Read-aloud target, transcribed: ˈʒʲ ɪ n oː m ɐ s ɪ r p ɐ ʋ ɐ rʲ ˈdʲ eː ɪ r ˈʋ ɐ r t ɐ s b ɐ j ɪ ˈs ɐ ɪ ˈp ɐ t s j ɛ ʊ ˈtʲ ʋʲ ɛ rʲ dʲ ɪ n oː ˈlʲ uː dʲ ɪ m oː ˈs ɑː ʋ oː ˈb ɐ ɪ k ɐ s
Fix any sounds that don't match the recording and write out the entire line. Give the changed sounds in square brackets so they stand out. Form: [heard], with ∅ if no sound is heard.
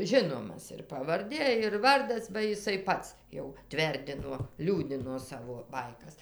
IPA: ˈʒʲ ɪ n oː m ɐ s ɪ r p ɐ ʋ ɐ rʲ ˈdʲ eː ɪ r ˈʋ ɐ r [d] ɐ s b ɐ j ɪ ˈs ɐ ɪ ˈp ɐ t s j ɛ ʊ ˈtʲ ʋʲ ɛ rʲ dʲ ɪ n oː ˈlʲ uː dʲ ɪ [n] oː ˈs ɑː ʋ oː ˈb ɐ ɪ k ɐ s